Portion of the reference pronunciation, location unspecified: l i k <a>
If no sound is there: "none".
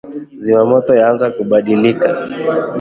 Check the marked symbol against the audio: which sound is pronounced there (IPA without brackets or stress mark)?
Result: a